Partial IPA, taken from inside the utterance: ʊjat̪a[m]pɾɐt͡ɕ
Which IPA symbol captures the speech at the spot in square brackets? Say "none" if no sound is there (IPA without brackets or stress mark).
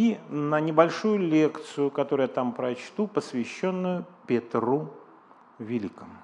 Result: m